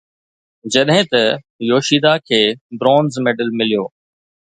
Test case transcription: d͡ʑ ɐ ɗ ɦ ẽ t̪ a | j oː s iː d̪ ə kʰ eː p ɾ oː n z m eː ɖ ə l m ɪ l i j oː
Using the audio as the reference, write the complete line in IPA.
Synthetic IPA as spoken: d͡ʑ ɐ ɗ ɦ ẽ t̪ ɐ | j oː ʃ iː d̪ a kʰ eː b ɾ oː n z m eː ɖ ə l m ɪ l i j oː

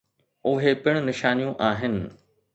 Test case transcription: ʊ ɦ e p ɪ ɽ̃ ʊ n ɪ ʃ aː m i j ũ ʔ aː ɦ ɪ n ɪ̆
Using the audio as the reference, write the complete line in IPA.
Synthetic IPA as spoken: ʊ ɦ e p ɪ ɽ̃ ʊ n ɪ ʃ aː n i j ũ ʔ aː ɦ ɪ n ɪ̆

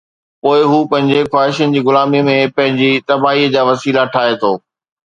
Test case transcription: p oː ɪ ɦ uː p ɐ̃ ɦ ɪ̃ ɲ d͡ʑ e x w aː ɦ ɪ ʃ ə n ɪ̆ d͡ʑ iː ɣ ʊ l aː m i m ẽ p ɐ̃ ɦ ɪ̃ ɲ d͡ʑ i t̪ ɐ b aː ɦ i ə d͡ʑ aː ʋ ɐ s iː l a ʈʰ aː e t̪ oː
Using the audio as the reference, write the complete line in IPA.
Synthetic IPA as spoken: p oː ɪ ɦ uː p ɐ̃ ɦ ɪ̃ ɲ d͡ʑ e x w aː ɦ ɪ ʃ ə n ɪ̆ d͡ʑ iː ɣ ʊ l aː m i m ẽ p ɐ̃ ɦ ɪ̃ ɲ d͡ʑ i t̪ ɐ b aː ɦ i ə d͡ʑ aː ʋ ɐ s iː l a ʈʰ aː e t̪ʰ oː

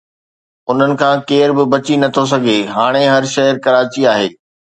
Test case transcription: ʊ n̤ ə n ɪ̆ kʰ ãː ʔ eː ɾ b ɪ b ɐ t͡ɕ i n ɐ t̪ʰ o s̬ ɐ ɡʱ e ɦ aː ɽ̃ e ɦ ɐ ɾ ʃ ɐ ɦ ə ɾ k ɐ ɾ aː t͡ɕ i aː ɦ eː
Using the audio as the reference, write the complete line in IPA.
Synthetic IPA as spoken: ʊ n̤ ə n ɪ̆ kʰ ãː k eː ɾ b ɪ b ɐ t͡ɕ i n ɐ t̪ʰ o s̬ ɐ ɡʱ e ɦ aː ɽ̃ e ɦ ɐ ɾ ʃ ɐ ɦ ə ɾ k ɐ ɾ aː t͡ɕ i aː ɦ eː

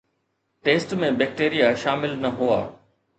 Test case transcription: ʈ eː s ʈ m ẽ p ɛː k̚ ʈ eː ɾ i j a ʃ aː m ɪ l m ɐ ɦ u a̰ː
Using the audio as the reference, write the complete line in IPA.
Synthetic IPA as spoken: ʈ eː s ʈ m ẽ b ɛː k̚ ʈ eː ɾ i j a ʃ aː m ɪ l n ɐ ɦ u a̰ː

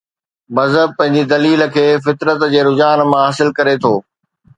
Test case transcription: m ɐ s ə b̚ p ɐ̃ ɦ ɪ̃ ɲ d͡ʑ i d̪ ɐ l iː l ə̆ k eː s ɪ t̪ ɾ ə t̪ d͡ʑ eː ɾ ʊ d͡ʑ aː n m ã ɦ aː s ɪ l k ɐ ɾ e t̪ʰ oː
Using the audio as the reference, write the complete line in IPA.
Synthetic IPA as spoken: m ɐ z ə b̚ p ɐ̃ ɦ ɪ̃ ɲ d͡ʑ i d̪ ɐ l iː l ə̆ kʰ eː f ɪ t̪ ɾ ə t̪ d͡ʑ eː ɾ ʊ d͡ʑ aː n m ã ɦ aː s ɪ l k ɐ ɾ e t̪ʰ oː

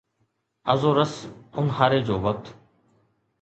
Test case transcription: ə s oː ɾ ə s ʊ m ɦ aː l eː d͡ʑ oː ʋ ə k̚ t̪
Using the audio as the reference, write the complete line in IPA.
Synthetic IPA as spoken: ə z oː ɾ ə s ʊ n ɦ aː ɾ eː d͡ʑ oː ʋ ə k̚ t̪

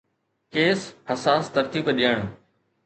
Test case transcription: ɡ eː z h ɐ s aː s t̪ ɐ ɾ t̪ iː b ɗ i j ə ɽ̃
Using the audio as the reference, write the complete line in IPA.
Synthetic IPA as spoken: k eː s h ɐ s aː s t̪ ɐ ɾ t̪ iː b ɗ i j ə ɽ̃

